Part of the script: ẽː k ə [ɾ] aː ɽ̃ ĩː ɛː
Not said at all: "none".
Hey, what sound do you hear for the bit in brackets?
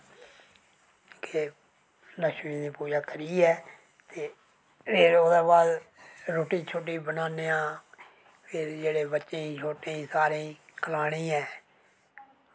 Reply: l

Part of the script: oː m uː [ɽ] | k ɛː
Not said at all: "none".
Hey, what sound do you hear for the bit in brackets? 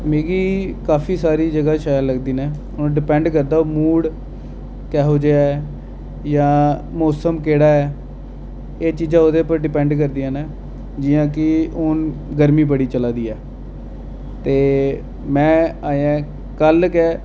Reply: ɽ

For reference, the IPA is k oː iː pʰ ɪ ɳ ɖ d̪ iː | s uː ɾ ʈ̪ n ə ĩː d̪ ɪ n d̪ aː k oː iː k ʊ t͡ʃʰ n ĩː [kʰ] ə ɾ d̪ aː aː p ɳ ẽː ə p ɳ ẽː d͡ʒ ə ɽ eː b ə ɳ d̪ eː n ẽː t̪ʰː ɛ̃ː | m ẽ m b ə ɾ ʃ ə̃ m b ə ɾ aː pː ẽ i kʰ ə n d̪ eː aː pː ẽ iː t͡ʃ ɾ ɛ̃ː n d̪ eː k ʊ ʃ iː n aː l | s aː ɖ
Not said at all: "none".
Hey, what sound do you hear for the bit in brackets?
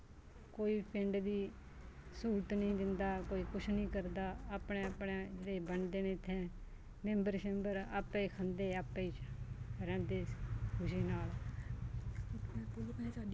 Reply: k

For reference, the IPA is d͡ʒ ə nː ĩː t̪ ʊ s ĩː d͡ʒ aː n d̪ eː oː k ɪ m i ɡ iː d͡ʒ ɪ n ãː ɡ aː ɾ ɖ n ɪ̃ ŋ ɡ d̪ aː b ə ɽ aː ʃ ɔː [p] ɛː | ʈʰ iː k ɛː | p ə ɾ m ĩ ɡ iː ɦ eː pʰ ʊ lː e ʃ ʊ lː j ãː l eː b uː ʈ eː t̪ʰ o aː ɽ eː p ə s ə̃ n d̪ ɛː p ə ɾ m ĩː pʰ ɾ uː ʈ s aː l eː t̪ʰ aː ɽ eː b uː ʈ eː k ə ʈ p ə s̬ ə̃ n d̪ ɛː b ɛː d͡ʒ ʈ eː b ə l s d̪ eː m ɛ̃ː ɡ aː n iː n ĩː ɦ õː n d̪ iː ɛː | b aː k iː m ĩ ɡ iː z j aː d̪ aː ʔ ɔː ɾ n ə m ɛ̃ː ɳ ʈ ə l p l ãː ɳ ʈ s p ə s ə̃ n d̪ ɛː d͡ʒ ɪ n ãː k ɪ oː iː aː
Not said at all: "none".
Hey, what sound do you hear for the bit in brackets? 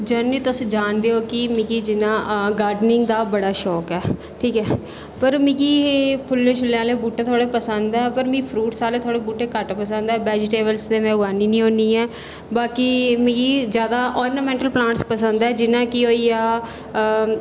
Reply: k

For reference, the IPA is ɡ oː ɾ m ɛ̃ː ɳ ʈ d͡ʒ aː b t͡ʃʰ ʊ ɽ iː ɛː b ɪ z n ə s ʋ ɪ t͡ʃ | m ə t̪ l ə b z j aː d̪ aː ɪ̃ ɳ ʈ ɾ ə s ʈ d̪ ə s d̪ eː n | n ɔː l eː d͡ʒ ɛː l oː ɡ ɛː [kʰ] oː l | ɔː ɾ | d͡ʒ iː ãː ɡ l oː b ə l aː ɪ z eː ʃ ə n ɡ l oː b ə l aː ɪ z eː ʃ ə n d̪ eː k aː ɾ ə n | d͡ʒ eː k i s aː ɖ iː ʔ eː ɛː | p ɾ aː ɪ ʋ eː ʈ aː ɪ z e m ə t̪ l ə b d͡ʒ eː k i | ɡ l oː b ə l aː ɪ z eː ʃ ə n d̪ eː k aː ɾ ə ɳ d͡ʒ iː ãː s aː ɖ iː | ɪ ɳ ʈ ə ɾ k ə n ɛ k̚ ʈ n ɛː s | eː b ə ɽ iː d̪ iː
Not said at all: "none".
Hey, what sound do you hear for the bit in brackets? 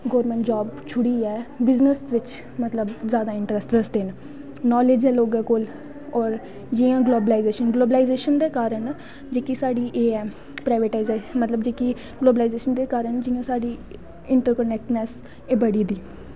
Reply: k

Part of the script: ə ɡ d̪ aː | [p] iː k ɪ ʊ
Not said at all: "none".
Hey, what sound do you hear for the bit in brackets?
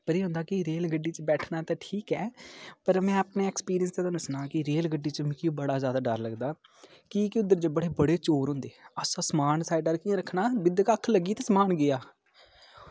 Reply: k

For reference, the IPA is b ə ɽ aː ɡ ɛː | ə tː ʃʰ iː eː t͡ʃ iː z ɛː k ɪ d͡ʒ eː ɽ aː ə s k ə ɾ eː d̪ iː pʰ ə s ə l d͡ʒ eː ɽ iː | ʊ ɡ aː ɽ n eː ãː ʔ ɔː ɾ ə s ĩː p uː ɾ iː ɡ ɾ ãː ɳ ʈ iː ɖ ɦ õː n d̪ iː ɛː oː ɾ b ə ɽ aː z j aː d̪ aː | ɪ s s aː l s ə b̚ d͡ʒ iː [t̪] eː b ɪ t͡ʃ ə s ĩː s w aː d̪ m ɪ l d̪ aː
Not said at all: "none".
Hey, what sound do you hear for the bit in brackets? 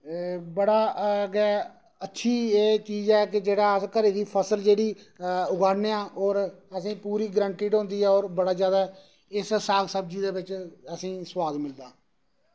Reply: d̪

